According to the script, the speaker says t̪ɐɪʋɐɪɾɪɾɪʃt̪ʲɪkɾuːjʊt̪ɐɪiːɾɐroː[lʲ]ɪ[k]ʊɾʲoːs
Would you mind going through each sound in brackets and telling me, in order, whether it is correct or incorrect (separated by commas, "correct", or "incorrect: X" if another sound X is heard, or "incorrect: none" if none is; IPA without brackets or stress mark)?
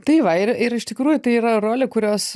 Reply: correct, correct